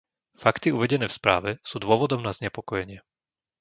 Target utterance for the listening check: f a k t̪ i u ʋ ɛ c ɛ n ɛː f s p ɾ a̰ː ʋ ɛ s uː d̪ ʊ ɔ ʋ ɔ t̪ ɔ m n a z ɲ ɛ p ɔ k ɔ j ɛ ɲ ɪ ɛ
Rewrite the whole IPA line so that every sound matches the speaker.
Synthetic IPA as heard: f a k t̪ i u ʋ ɛ ɟ ɛ n ɛː f s p ɾ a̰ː ʋ ɛ s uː d̪ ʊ ɔ ʋ ɔ d̪ ɔ m n a z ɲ ɛ p ɔ k ɔ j ɛ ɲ ɪ ɛ